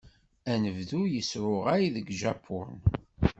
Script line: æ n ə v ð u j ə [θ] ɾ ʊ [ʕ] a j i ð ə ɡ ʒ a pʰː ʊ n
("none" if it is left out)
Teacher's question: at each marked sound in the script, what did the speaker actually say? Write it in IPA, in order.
s, ʁ

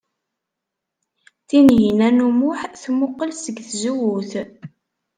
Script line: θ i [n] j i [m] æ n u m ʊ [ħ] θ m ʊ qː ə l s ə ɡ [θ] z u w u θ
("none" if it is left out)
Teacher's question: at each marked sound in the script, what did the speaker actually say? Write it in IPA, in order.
n, n, ħ, θ

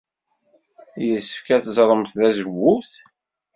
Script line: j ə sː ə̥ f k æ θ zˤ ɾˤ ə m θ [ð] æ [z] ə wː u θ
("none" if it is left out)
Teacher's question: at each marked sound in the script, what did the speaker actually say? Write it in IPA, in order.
ð, z

